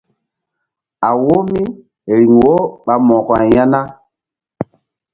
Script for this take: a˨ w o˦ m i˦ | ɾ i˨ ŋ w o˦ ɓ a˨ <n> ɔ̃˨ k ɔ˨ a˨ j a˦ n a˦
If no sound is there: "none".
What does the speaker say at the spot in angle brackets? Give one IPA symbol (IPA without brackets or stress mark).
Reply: m